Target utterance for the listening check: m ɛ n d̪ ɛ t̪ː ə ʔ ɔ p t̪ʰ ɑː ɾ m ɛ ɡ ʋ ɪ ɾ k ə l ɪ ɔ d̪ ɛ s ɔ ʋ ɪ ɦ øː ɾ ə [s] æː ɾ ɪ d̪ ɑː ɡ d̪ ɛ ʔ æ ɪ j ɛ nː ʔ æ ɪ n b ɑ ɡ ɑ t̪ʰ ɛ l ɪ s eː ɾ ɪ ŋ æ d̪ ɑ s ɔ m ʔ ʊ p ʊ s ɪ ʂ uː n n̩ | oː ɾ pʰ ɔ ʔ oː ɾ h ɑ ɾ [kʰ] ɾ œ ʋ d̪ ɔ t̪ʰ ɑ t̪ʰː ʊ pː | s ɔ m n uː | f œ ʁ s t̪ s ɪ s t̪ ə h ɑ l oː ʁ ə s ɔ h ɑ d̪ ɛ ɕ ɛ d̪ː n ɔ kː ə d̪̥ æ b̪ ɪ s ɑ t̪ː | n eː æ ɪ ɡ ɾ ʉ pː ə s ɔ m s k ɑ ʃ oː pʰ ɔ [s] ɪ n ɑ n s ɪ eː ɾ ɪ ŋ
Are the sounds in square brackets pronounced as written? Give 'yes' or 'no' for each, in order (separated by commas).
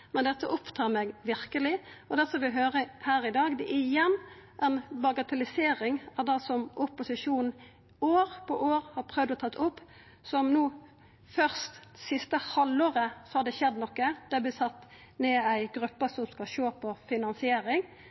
no, no, no